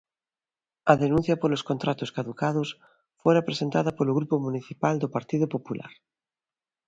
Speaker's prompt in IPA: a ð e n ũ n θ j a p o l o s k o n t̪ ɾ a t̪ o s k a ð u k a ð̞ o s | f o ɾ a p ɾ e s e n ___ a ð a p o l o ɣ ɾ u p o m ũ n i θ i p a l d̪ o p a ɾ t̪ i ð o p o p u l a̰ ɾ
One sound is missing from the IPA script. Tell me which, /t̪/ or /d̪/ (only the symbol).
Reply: t̪